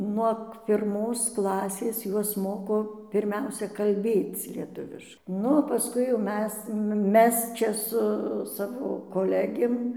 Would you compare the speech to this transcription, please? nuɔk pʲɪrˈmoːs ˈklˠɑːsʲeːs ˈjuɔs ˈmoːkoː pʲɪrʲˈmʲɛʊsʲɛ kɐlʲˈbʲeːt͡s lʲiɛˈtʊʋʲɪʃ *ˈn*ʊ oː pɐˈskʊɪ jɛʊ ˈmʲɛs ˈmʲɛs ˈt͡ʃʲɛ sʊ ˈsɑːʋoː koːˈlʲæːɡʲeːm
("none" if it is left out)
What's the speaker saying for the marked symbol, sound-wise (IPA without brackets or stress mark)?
n